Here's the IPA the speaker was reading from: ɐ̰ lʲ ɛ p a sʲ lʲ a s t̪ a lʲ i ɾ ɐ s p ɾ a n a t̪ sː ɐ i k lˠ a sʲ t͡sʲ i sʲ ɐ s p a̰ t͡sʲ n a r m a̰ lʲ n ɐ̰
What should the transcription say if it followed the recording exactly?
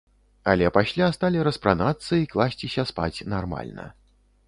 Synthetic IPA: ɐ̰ lʲ ɛ p a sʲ lʲ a s t̪ a lʲ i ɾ ɐ s p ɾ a n a t̪ sː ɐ i k lˠ a sʲ t͡sʲ i sʲ ɐ s p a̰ t͡sʲ n a r m a̰ lʲ n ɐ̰